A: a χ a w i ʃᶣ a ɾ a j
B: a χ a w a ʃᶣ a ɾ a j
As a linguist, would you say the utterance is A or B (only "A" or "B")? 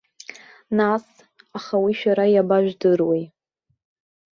A